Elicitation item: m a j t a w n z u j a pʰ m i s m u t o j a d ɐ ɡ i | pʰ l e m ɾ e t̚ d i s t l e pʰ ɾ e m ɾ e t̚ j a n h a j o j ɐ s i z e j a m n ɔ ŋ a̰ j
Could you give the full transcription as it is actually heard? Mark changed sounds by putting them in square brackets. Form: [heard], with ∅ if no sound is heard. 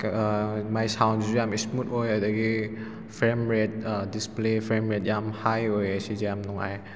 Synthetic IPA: m a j [s] a w n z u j a [∅] m i s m u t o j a d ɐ ɡ i | pʰ [ɾ] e m ɾ e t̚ d i s [p] l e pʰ ɾ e m ɾ e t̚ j a [m] h a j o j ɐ s i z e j a m n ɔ ŋ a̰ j